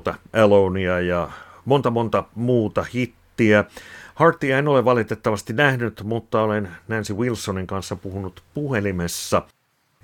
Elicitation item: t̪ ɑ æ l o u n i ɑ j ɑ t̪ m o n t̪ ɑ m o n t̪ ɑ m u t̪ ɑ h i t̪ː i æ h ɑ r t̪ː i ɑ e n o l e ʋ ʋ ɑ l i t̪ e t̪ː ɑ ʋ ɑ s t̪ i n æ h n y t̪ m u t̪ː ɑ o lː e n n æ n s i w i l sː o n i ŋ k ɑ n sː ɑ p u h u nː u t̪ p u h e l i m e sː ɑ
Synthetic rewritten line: t̪ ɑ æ l o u n i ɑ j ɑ m o n t̪ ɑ m o n t̪ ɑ m uː t̪ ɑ h i t̪ː i æ h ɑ r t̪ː i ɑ e n o l e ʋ ʋ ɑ l i t̪ e t̪ː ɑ ʋ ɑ s t̪ i n æ h n y t̪ m u t̪ː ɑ o l e n n æ n s i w i l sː o n i ŋ k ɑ n sː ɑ p u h u n u t̪ p u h e l i m e sː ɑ